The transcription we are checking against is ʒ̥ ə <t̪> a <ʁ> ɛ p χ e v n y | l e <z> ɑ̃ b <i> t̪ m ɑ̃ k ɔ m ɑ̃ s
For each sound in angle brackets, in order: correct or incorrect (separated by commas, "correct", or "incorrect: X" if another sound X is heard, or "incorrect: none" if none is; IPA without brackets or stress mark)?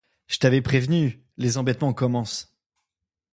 correct, incorrect: v, correct, incorrect: ɛ